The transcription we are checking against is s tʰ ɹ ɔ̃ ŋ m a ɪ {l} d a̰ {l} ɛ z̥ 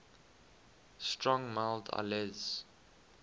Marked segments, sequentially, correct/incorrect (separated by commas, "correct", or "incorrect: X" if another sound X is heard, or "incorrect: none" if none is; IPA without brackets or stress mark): correct, correct